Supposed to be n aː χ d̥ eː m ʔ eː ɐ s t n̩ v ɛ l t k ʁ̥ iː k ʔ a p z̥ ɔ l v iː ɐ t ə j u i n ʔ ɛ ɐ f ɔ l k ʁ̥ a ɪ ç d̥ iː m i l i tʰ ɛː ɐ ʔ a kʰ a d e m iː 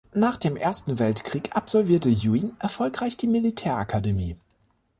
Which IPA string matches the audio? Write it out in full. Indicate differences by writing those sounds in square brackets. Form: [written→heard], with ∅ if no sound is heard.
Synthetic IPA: n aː χ d̥ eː m ʔ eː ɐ s t n̩ v ɛ l t k ʁ̥ iː k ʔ a p z̥ ɔ l v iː ɐ t ə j u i n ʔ ɛ ɐ f ɔ l k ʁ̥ a ɪ ç d̥ iː m i l i tʰ ɛː ɐ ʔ a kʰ a d e m iː